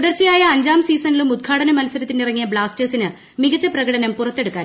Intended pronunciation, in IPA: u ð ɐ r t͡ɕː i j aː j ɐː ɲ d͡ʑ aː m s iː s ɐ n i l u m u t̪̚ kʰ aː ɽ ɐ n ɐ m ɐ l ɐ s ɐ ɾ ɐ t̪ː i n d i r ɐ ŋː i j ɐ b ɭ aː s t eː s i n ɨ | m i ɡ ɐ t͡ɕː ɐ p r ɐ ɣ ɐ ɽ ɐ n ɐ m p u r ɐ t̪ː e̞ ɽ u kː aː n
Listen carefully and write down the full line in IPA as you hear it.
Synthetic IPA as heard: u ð ɐ r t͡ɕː i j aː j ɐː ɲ d͡ʑ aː m s iː s ɐ n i l u m u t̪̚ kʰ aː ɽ ɐ n ɐ m ɐ l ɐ s ɐ ɾ ɐ t̪ː i n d i r ɐ ŋː i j ɐ b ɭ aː s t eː s i n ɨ | m i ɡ ɐ t͡ɕː ɐ p r ɐ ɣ ɐ ɽ ɐ n ɐ m p u r ɐ t̪ː e̞ ɽ u kː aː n